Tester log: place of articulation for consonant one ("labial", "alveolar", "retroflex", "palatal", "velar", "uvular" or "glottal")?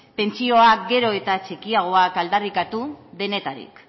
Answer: labial